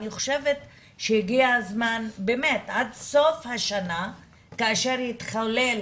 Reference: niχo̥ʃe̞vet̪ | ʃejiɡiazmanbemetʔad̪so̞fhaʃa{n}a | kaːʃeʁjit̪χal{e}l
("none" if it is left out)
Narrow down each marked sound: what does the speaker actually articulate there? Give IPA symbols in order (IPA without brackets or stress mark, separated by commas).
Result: n, e